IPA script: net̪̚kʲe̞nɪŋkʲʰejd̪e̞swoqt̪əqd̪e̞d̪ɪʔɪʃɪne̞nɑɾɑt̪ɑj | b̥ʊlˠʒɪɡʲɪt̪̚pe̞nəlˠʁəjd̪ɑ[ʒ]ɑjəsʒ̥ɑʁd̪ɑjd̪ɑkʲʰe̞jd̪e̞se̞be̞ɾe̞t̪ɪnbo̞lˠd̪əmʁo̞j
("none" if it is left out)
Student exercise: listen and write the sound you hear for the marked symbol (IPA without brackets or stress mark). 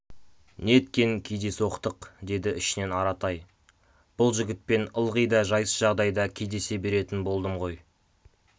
ʒ